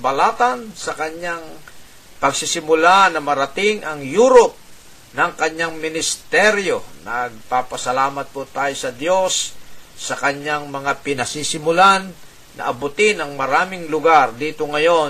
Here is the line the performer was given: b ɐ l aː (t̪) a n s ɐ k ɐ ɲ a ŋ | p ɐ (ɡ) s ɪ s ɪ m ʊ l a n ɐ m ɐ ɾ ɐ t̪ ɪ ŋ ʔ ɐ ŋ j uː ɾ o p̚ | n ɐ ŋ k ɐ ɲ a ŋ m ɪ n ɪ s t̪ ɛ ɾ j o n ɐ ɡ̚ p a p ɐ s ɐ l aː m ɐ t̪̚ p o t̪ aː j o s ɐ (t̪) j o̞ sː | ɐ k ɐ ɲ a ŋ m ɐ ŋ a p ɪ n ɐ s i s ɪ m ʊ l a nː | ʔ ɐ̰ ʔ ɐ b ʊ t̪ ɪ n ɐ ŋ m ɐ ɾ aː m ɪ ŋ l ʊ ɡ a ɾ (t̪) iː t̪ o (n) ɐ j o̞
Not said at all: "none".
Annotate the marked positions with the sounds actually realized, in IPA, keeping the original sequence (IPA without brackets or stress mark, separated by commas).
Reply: t̪, ɡ, d̪, d̪, ŋ